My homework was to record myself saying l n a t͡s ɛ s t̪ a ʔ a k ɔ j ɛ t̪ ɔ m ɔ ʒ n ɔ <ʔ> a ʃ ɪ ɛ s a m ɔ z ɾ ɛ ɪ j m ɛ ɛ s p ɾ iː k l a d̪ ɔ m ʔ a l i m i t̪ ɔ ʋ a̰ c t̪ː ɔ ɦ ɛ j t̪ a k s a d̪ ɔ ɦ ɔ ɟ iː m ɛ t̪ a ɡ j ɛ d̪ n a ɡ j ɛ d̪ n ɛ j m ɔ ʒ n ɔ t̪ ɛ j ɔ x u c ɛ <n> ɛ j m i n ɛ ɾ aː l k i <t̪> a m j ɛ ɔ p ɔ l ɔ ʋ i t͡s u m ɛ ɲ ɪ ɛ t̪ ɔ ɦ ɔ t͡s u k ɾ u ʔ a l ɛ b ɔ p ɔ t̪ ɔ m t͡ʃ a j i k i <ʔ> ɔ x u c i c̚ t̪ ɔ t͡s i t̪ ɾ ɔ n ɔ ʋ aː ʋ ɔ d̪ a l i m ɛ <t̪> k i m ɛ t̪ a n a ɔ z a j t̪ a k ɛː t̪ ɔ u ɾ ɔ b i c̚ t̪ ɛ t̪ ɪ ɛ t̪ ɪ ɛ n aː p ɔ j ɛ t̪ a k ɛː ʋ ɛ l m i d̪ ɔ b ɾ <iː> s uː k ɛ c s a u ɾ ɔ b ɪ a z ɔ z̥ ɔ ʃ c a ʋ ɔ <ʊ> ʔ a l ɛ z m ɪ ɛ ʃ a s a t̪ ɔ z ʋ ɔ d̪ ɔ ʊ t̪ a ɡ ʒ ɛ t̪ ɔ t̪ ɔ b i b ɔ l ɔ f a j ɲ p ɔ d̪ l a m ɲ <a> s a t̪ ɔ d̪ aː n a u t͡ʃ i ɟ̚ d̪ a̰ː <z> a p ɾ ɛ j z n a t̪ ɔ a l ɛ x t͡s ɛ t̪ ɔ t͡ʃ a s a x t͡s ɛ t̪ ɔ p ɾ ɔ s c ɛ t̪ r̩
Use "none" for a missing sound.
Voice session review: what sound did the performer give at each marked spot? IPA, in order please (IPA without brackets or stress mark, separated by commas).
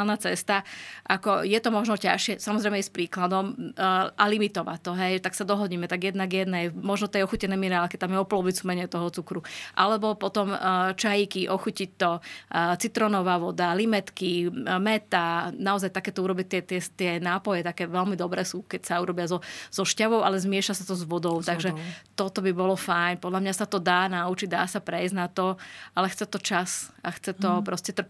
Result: c, n, t̪, ʔ, t̪, ɛː, ʊ, a, s